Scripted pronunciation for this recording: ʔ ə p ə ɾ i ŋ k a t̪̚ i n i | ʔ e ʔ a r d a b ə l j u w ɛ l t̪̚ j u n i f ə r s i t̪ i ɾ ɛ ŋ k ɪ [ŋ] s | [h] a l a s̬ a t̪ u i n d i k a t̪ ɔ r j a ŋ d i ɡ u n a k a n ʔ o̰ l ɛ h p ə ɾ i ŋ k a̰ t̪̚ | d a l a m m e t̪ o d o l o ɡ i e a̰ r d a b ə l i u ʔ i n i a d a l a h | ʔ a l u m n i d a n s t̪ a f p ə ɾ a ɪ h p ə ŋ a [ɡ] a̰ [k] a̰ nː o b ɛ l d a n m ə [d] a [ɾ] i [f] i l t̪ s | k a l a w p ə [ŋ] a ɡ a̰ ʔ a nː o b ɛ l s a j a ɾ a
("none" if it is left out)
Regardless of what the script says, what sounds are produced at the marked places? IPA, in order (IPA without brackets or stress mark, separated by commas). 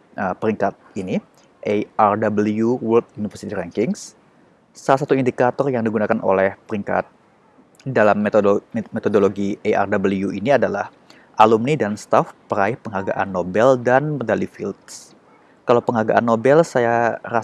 ŋ, s, ɡ, ʔ, d, l, f, ŋ